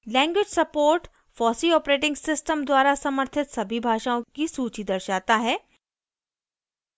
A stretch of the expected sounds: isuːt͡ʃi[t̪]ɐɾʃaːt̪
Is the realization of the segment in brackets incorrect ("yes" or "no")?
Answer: yes